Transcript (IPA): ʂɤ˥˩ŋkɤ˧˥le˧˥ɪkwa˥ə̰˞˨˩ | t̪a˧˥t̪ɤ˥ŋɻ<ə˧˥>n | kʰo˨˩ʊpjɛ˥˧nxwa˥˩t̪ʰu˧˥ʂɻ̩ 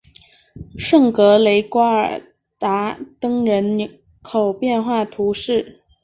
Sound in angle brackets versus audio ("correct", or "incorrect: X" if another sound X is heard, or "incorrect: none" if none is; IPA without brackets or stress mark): correct